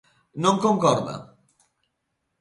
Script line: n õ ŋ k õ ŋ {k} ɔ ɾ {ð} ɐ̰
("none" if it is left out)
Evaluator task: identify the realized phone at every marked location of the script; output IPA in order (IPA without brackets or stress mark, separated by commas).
k, ð